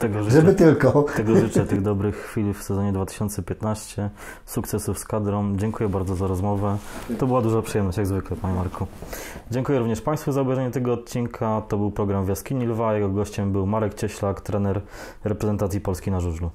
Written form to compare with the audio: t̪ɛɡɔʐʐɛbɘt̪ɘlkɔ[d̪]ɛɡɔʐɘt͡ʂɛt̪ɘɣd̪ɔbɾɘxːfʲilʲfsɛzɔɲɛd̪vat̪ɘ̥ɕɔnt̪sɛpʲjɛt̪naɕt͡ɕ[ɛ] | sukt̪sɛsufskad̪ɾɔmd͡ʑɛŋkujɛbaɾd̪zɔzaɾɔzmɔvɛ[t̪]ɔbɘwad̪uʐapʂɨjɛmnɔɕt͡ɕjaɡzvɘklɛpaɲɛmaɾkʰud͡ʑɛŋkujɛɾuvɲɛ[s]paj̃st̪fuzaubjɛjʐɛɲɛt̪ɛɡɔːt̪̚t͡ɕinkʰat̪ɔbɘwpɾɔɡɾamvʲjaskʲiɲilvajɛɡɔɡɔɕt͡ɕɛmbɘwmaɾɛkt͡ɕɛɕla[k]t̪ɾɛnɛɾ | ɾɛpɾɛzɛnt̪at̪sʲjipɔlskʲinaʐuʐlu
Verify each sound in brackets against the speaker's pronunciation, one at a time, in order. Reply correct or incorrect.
incorrect, correct, correct, incorrect, correct

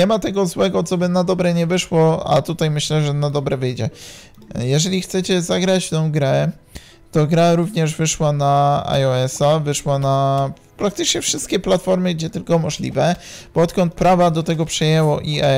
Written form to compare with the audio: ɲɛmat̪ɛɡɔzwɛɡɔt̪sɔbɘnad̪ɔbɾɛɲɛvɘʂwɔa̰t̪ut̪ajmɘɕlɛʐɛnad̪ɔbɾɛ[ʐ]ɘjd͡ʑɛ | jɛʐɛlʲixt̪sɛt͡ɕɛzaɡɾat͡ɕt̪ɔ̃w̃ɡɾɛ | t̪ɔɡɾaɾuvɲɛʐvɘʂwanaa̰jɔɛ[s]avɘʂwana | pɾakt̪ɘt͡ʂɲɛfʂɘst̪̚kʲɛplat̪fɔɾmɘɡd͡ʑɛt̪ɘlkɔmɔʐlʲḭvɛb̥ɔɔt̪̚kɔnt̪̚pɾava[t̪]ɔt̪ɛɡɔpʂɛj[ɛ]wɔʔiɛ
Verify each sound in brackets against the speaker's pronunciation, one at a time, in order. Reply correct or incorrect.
incorrect, correct, incorrect, correct

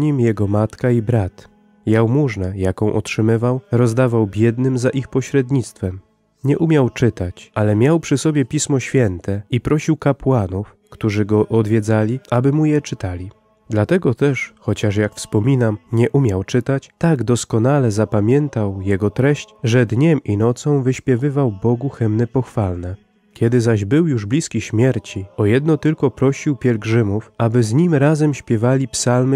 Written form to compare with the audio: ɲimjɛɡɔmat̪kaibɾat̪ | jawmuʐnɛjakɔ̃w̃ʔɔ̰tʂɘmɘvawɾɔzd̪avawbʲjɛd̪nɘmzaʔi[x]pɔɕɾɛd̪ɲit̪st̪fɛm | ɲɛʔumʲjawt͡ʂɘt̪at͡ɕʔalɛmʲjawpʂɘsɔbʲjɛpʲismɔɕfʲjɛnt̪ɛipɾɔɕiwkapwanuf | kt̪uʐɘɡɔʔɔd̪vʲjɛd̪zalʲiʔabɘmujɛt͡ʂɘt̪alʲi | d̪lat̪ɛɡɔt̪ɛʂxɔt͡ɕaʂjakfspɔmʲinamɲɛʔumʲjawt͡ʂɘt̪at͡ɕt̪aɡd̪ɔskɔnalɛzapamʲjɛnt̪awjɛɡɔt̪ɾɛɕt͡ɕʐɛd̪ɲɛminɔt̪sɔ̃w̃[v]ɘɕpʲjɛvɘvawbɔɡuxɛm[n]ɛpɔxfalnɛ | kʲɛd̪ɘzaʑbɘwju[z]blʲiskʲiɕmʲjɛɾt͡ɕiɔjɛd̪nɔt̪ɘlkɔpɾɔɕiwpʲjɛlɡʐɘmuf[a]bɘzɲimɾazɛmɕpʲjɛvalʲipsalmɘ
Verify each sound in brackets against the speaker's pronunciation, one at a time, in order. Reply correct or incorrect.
correct, correct, correct, incorrect, correct

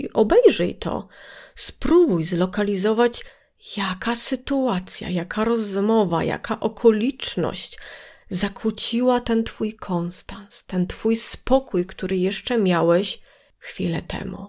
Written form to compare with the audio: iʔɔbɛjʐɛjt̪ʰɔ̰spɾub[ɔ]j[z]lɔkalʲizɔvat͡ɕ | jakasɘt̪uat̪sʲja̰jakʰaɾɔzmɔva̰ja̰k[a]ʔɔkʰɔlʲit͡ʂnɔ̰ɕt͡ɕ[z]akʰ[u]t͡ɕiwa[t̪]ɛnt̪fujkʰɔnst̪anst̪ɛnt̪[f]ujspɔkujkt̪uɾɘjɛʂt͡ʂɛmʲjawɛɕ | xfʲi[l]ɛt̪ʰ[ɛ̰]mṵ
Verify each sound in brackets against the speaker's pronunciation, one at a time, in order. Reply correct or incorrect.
incorrect, correct, correct, correct, correct, correct, correct, correct, correct

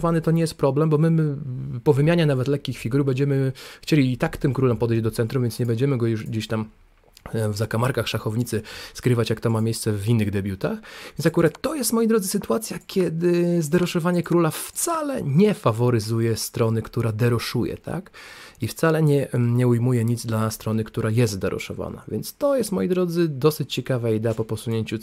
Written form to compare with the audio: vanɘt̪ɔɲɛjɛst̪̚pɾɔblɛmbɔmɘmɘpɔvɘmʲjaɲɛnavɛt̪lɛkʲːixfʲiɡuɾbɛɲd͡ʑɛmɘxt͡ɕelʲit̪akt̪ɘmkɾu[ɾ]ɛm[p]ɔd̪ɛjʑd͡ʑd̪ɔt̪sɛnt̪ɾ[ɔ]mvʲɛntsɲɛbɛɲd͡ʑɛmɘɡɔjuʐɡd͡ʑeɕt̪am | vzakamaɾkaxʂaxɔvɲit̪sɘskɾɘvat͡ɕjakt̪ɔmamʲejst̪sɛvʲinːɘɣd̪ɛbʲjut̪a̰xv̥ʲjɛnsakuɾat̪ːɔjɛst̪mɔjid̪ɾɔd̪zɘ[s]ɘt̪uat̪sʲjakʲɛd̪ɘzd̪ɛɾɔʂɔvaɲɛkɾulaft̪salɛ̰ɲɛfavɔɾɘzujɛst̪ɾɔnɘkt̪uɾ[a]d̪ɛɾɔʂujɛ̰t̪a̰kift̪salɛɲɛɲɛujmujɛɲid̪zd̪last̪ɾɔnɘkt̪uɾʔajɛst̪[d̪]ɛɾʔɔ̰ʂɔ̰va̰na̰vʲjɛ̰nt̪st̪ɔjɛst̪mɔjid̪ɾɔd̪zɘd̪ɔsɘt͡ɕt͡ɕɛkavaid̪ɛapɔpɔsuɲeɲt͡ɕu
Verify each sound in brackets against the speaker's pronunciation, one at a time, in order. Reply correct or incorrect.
incorrect, correct, incorrect, correct, correct, correct

